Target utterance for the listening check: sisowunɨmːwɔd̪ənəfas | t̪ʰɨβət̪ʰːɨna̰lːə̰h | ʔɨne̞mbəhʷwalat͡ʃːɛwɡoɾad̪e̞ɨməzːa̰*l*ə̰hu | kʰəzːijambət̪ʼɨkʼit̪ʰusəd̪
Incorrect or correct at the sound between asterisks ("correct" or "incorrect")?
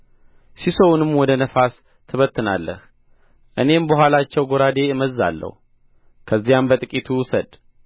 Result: incorrect